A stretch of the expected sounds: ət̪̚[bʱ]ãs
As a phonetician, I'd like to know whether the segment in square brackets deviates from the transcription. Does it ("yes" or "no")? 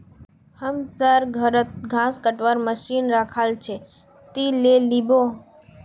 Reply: yes